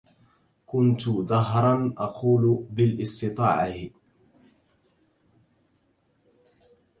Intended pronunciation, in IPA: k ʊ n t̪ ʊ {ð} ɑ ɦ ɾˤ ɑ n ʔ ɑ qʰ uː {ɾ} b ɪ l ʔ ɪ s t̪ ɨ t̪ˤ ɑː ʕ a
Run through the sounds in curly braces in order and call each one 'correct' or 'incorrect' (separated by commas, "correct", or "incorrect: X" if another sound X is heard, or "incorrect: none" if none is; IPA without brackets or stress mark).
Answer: correct, incorrect: l